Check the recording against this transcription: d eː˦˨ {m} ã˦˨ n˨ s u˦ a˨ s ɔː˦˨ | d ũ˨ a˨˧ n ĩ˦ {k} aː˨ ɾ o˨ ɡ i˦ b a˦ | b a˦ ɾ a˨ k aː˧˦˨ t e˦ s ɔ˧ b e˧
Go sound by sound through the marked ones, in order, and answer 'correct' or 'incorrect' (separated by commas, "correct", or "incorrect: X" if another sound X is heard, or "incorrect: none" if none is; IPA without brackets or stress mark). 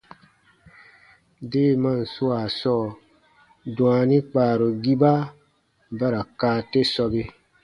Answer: correct, incorrect: k͡p